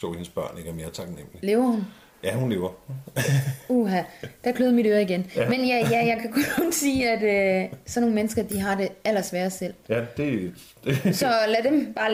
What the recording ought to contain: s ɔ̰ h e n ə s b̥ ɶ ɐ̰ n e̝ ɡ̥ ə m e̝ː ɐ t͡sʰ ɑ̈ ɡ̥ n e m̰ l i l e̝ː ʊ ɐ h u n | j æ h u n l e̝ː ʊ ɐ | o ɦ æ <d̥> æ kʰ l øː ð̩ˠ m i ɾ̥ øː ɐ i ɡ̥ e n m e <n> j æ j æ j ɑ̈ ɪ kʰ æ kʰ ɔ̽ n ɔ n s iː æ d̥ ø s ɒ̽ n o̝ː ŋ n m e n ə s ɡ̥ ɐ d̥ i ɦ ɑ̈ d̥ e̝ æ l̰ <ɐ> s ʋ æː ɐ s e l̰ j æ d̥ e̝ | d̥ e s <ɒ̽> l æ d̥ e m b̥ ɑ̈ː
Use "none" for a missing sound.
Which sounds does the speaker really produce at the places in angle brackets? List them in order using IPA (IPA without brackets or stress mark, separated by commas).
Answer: d̥, n, ɐ, ɒ̽